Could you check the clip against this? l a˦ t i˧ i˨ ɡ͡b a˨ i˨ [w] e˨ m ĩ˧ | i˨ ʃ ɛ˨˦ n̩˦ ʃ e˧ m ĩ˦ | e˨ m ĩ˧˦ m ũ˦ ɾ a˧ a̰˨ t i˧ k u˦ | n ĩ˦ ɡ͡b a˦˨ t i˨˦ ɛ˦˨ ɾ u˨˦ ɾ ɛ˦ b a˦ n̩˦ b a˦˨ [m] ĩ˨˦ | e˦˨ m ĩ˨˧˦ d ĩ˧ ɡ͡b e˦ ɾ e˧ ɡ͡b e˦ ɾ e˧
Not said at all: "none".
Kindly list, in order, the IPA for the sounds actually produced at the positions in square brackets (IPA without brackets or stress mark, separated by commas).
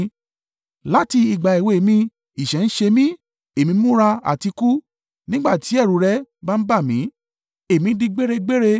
w, m